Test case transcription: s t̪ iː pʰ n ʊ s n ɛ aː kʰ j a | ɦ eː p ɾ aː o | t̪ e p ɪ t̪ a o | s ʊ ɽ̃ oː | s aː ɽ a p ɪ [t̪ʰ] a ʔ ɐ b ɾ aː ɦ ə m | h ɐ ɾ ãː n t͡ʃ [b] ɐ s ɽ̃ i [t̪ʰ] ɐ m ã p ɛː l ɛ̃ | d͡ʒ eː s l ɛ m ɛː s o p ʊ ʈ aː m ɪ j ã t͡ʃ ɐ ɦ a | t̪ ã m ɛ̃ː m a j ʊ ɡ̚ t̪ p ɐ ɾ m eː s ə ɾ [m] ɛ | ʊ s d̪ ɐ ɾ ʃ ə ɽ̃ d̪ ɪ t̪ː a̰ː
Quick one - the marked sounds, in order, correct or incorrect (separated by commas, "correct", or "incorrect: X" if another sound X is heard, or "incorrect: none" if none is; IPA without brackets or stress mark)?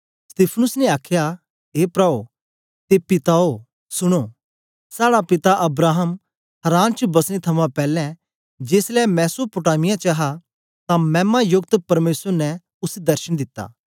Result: incorrect: t̪, correct, correct, incorrect: n